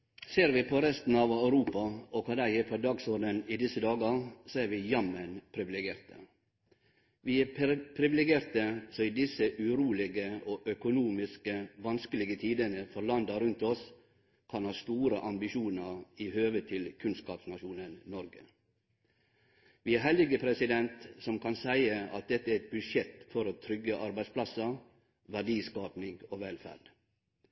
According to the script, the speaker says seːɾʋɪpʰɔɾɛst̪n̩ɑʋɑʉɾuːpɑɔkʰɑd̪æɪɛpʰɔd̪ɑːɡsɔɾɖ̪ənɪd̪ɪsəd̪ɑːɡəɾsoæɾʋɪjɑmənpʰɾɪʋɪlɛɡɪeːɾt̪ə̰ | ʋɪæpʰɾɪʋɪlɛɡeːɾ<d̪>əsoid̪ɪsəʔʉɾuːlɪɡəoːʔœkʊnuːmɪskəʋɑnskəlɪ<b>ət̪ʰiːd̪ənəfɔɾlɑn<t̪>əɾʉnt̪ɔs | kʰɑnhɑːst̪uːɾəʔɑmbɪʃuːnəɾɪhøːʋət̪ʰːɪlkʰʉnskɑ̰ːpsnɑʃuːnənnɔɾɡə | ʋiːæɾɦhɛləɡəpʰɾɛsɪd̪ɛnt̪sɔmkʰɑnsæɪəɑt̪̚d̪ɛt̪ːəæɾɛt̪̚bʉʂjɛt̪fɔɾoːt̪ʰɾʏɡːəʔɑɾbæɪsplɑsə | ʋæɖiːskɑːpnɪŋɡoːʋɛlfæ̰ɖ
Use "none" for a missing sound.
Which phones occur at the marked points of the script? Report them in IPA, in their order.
t̪, ɡ, d̪

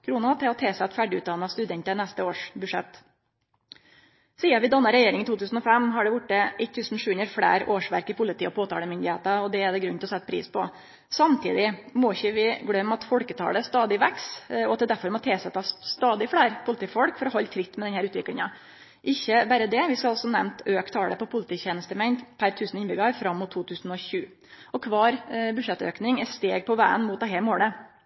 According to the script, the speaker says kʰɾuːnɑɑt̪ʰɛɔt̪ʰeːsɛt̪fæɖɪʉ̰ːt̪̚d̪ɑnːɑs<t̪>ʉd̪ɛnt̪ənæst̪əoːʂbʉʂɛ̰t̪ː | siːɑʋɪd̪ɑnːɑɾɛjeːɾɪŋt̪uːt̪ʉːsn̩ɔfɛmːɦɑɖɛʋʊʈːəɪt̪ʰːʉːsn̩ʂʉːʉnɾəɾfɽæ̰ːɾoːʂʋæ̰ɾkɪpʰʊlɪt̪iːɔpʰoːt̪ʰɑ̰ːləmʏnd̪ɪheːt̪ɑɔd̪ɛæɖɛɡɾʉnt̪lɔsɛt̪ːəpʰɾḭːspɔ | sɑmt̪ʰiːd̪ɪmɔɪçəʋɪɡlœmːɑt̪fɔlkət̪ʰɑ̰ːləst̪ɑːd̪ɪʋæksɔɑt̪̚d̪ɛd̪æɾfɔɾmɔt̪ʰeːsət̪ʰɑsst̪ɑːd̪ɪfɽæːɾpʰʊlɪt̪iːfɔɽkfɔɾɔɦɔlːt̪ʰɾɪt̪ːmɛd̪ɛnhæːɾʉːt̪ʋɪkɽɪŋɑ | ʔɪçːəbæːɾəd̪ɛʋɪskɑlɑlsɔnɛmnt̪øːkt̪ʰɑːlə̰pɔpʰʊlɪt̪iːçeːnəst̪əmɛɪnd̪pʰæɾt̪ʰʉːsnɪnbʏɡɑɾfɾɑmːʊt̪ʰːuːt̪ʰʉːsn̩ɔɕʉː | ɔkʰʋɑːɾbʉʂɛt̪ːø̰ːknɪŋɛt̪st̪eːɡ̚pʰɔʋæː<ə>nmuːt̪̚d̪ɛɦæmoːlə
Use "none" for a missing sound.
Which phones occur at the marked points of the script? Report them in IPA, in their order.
t̪, ə

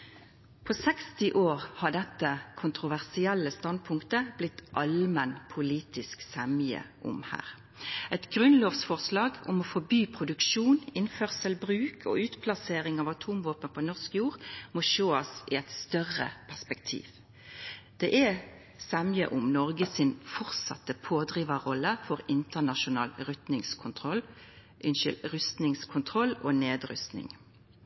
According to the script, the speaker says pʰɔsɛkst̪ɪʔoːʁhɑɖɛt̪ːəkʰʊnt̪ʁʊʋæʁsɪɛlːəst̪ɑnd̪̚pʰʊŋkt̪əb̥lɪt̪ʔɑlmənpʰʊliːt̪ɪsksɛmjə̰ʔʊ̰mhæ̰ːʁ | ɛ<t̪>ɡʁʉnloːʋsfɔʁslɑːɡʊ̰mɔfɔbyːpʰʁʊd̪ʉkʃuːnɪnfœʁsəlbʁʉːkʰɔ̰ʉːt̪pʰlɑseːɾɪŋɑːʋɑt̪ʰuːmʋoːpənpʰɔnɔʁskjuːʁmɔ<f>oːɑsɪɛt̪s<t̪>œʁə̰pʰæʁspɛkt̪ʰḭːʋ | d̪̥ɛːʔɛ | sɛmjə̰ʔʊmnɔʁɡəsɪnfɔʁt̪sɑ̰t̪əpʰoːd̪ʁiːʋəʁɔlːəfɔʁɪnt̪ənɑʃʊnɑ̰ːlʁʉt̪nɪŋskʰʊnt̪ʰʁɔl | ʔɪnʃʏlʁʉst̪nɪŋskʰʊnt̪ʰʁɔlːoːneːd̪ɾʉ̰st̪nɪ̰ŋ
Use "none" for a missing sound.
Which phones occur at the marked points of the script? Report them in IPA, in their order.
t̪, ʃ, t̪

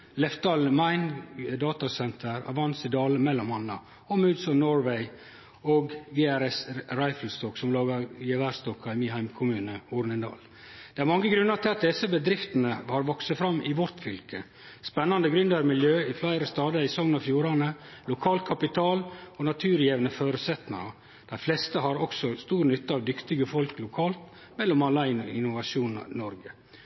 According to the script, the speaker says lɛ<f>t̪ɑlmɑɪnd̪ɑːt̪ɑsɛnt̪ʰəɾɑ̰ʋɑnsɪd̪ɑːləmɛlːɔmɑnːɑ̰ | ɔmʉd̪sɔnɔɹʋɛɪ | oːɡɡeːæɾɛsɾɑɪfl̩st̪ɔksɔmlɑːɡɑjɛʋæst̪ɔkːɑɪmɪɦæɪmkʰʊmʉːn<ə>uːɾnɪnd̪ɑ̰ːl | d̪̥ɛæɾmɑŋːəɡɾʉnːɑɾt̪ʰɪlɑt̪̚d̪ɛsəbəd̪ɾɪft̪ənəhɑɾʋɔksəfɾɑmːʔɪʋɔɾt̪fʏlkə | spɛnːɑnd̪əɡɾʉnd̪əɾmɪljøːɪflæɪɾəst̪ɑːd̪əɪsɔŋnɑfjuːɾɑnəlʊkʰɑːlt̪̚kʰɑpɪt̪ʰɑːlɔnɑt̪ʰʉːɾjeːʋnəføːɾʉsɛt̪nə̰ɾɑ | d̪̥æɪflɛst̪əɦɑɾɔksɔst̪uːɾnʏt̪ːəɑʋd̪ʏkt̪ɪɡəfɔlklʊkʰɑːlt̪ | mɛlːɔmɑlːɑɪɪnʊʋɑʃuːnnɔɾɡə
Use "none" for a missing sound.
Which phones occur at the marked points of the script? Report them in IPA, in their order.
f, ə

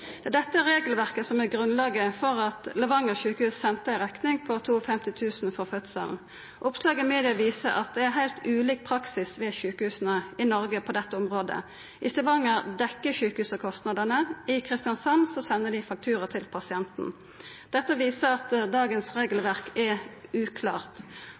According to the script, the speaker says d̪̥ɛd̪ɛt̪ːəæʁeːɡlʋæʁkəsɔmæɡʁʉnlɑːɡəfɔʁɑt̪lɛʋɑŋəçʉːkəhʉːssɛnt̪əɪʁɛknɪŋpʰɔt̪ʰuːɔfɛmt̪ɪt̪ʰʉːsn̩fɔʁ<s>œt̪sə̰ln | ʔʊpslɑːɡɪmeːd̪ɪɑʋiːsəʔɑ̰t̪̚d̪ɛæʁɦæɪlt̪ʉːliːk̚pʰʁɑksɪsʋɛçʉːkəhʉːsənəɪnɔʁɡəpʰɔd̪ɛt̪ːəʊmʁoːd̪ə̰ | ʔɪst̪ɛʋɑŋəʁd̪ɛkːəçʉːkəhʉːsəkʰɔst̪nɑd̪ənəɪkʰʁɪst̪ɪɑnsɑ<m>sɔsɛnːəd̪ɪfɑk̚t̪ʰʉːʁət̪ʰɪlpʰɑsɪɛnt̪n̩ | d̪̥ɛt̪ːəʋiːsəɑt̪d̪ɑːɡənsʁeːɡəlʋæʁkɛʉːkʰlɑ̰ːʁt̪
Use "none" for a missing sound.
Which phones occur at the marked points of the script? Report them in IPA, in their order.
f, n

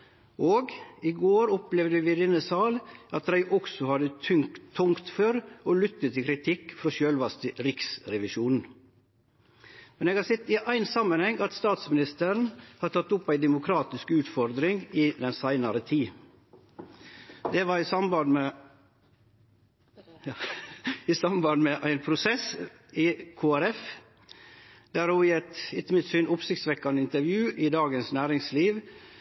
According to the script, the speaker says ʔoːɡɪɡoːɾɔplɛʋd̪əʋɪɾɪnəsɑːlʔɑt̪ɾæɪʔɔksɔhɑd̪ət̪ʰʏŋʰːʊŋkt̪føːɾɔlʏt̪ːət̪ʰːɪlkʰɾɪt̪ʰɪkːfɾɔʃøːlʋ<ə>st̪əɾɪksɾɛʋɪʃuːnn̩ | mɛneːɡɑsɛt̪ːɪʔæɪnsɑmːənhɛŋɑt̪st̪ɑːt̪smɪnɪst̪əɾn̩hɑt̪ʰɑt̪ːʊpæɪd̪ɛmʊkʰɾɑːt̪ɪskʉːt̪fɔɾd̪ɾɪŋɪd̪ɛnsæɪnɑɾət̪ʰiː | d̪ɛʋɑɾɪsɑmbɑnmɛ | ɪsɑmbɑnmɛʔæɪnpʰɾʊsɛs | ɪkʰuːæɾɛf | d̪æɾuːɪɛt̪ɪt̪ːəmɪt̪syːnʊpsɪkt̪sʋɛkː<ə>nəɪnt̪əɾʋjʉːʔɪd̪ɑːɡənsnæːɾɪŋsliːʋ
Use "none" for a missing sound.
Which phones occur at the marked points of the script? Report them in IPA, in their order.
ɑ, ɑ

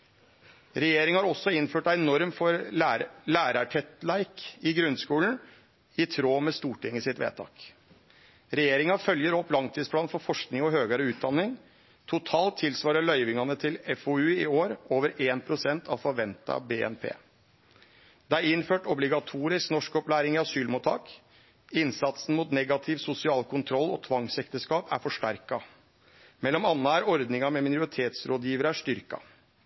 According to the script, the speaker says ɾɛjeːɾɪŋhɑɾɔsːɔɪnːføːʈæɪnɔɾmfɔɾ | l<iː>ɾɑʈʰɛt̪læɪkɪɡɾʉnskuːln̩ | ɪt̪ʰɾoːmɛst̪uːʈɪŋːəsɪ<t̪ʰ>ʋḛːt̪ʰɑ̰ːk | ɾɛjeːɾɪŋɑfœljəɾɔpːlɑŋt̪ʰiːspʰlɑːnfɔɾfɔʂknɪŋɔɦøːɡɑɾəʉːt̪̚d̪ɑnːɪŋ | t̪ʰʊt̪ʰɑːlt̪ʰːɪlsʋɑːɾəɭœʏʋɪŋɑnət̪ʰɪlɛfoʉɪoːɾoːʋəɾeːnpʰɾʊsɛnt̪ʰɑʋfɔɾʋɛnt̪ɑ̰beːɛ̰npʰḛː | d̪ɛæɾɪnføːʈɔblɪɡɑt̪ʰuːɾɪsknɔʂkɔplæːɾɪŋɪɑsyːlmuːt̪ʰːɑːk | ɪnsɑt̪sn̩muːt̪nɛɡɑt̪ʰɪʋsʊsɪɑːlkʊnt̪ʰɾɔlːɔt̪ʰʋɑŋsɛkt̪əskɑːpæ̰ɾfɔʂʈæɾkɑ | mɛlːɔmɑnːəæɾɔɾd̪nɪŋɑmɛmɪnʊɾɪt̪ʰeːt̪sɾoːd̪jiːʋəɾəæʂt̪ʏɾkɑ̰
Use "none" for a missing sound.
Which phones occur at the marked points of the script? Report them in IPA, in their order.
æː, t̪

